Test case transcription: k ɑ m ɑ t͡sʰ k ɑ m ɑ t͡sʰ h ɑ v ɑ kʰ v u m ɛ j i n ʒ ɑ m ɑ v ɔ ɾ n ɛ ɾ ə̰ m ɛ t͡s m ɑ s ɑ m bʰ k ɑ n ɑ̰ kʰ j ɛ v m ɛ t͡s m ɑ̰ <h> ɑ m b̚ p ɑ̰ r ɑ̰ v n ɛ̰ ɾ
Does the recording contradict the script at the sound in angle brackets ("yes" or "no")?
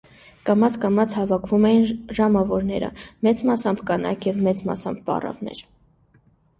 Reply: yes